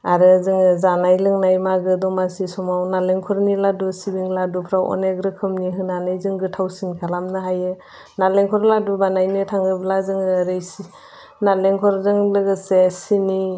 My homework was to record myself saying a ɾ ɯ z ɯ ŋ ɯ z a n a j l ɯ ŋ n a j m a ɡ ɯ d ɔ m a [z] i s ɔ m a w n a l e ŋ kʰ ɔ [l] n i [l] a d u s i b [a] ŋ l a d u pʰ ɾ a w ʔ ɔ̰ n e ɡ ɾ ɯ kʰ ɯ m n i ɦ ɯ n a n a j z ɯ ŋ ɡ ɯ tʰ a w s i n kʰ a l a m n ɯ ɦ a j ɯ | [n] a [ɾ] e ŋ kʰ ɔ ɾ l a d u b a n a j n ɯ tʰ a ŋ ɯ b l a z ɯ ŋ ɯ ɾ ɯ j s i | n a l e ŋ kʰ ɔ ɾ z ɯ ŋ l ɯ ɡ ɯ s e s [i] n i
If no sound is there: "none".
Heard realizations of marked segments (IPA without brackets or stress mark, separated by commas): s, ɾ, l, i, n, l, i